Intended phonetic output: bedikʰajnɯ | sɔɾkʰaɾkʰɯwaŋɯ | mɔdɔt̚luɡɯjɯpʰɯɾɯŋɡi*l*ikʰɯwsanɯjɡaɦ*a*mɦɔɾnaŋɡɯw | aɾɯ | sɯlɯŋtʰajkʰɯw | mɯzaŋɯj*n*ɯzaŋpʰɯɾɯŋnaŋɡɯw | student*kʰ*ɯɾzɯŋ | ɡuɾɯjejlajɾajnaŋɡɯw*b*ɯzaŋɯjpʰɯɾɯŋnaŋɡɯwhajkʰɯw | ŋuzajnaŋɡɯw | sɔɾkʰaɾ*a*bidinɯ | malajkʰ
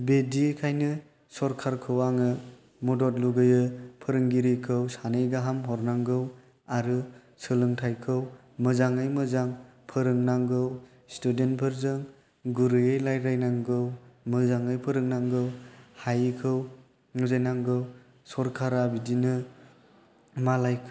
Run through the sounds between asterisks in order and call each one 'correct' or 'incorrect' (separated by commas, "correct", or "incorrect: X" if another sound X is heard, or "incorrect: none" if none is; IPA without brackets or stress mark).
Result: incorrect: ɾ, correct, incorrect: m, incorrect: pʰ, incorrect: m, correct